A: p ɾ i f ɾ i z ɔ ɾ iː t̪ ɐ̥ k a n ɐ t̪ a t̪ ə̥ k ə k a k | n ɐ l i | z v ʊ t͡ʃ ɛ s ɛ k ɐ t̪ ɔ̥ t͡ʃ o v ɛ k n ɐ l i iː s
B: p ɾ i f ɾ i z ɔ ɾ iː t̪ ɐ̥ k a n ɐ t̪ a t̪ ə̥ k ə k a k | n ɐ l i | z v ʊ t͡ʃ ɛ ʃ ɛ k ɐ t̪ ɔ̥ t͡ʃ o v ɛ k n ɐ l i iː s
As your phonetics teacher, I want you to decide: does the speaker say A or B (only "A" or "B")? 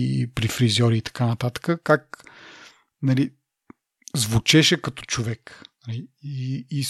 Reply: B